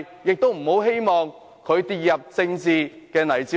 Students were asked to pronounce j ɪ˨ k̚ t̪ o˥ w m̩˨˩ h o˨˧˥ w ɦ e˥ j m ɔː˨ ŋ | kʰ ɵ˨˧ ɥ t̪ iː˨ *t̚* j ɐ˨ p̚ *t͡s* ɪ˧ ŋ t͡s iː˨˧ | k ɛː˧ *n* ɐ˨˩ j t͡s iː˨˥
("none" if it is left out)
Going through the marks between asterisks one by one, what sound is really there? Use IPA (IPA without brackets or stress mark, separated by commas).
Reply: t̚, t͡s, n